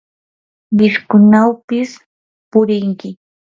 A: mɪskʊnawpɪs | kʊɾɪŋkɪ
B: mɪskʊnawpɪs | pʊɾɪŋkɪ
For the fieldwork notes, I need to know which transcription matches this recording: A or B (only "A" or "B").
B